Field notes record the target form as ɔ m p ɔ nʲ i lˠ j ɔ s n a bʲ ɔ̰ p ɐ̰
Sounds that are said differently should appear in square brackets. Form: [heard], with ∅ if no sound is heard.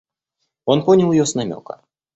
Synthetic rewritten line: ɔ [n] p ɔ nʲ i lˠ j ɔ s n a [mʲ] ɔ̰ [k] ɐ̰